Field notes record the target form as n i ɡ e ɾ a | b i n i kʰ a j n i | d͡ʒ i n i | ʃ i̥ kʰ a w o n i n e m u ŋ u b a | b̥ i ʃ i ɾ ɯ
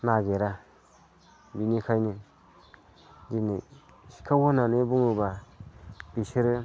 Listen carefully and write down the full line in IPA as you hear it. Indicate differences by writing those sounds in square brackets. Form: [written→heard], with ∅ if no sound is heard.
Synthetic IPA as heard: n [i→a] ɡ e ɾ a | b i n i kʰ a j n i | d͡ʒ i n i | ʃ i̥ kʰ a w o n [i→a] n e [m→b] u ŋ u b a | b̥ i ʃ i ɾ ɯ